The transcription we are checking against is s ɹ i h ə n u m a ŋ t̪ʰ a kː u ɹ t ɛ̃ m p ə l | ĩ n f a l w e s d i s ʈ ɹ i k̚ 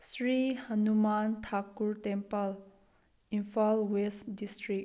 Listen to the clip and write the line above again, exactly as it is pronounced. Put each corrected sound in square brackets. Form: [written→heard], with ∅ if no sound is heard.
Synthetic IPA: s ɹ i h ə n u m a [ŋ→n] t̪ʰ a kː u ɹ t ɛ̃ m p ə l | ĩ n f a l w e s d i s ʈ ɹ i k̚